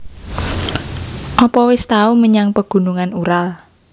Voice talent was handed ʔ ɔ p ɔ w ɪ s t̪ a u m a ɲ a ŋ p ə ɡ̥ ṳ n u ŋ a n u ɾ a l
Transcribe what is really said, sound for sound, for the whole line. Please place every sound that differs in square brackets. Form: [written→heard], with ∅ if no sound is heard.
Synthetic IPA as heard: ʔ ɔ p ɔ w ɪ s t̪ a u m [a→ə] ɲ a ŋ p ə ɡ̥ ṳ n u ŋ a n u ɾ a l